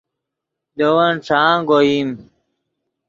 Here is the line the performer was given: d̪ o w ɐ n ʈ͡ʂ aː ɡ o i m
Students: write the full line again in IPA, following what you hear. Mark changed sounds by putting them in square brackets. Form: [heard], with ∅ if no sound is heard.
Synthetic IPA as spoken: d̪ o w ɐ n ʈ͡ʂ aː ɡ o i m